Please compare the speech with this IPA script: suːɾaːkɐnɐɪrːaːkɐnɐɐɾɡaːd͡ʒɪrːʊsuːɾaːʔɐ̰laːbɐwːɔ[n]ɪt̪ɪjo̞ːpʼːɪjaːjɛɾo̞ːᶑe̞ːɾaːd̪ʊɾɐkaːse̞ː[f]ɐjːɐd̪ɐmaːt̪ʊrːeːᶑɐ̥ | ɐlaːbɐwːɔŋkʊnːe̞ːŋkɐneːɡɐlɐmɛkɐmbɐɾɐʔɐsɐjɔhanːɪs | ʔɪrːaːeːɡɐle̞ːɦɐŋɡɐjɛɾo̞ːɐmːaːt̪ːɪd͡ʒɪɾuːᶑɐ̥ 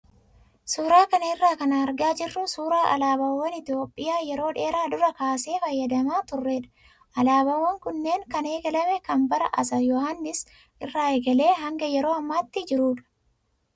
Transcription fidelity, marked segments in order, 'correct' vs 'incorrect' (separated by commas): correct, correct